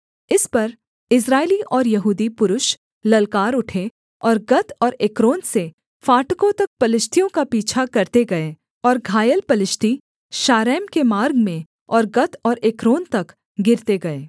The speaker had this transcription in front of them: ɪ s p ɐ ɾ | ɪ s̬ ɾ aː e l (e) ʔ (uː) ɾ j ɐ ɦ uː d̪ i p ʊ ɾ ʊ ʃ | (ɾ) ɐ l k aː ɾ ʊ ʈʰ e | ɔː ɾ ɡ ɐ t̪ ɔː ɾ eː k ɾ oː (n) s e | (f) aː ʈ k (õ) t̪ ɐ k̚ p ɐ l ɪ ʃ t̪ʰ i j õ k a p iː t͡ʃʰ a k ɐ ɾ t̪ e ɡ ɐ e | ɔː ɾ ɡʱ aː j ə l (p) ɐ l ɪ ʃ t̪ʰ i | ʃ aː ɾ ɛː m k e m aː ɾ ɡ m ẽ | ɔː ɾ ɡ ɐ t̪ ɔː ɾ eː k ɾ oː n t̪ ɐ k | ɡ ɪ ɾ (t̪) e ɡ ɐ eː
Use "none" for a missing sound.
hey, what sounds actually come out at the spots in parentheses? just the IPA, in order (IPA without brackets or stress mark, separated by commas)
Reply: i, ɔː, l, n, f, õ, p, t̪